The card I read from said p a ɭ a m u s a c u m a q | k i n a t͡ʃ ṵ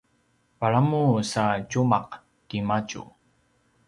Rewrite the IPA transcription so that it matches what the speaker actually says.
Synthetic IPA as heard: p a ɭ a m u s a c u m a q | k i m a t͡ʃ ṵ